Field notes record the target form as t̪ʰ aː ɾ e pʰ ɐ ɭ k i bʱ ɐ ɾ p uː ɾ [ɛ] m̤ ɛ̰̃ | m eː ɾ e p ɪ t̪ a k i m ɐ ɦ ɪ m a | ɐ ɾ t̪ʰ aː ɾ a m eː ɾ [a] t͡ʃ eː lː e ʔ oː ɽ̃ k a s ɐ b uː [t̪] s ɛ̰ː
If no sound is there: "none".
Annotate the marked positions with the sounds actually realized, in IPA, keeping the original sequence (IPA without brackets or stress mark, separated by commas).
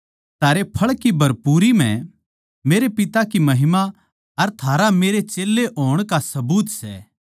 i, e, t̪